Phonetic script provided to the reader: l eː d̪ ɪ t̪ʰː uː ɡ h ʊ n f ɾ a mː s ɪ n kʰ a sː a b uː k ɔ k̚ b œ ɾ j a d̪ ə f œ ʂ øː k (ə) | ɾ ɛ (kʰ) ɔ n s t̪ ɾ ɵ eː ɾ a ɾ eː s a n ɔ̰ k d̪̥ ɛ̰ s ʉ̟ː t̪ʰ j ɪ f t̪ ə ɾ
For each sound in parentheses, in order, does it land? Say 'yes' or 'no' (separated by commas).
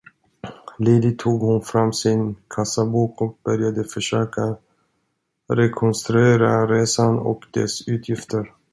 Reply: no, yes